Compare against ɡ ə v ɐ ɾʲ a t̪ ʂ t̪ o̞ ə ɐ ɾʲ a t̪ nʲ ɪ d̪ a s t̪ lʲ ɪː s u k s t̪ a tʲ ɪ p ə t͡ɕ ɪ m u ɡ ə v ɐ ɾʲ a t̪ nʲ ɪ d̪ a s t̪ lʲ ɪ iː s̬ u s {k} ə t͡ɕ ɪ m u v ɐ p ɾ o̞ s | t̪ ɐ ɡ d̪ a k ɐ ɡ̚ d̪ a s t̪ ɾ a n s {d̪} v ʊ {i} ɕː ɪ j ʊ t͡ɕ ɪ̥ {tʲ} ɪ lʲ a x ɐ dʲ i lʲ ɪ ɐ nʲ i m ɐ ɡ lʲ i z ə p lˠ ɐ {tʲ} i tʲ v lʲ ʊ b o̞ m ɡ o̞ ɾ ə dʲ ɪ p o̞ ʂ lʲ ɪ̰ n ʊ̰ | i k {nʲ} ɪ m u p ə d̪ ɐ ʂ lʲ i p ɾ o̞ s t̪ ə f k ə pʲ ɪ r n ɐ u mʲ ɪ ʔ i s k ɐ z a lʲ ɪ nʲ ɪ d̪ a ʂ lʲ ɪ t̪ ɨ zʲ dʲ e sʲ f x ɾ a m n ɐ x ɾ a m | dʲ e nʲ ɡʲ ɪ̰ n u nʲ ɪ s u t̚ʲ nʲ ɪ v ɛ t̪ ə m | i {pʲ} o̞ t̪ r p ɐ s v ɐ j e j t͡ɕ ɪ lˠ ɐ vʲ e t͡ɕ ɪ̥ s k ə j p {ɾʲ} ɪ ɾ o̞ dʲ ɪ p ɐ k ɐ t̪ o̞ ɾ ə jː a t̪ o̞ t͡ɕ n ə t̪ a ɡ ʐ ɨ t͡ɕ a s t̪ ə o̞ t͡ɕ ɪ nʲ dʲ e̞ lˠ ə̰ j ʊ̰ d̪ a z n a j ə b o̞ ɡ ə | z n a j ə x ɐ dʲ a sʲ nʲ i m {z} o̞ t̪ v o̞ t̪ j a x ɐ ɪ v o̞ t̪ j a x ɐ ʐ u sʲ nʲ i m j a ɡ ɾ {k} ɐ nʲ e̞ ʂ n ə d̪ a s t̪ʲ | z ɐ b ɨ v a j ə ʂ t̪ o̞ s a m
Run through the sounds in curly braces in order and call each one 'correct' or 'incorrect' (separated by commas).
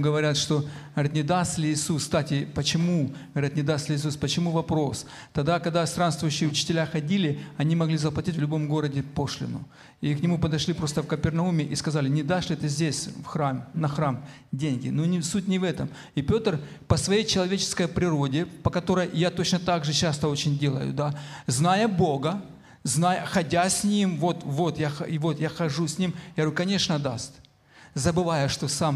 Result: incorrect, incorrect, incorrect, correct, correct, correct, correct, correct, incorrect, correct